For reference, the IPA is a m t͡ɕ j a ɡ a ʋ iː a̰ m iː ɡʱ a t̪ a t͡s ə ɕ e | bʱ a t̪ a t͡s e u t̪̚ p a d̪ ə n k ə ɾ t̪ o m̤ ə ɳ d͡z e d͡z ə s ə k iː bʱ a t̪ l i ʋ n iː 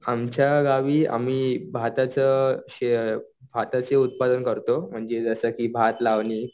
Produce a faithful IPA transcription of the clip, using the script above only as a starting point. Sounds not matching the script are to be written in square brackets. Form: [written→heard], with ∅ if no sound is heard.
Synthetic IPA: a m t͡ɕ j a ɡ a ʋ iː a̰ m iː [ɡʱ→bʱ] a t̪ a t͡s ə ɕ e | bʱ a t̪ a t͡s e u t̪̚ p a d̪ ə n k ə ɾ t̪ o m̤ ə ɳ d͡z e d͡z ə s ə k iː bʱ a t̪ l [i→a] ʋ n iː

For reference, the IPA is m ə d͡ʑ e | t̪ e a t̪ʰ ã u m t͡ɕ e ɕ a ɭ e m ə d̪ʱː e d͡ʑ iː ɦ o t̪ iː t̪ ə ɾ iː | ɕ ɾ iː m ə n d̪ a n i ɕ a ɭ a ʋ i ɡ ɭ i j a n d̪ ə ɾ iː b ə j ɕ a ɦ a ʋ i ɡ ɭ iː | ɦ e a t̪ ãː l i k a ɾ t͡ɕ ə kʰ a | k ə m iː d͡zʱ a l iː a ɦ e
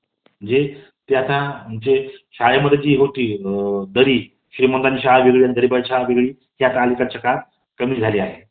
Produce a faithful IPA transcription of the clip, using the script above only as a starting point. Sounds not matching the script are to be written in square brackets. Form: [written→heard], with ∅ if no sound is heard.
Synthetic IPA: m ə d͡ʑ e | t̪ e a [t̪ʰ→t̪] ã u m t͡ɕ e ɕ a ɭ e m ə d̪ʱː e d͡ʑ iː ɦ o t̪ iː [t̪→d̪] ə ɾ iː | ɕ ɾ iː m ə n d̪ a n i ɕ a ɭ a ʋ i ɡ ɭ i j a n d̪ ə ɾ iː b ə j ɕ a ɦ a ʋ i ɡ ɭ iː | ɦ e a t̪ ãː l i k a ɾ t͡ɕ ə [kʰ→k] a | k ə m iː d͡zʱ a l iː a ɦ e

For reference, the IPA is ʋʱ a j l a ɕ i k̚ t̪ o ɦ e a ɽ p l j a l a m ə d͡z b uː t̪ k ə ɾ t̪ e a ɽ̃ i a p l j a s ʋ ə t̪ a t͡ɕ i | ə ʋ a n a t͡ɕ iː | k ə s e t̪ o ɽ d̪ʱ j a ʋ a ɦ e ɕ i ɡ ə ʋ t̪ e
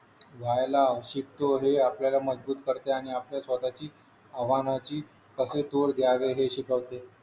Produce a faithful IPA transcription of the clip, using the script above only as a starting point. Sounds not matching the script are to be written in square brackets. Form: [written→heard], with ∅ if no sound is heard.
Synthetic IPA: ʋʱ a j l a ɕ i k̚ t̪ o ɦ e a [ɽ→∅] p l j a l a m ə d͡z b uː t̪ k ə ɾ t̪ e a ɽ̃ i a p l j a s ʋ ə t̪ a t͡ɕ [i→iː] | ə ʋ a n a t͡ɕ iː | k ə s e t̪ o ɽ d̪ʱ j a ʋ [a→e] ɦ e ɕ i [ɡ→k] ə ʋ t̪ e

